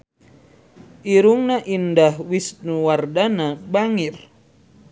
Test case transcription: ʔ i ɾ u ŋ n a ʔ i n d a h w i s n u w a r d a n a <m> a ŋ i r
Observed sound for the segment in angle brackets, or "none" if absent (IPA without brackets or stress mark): b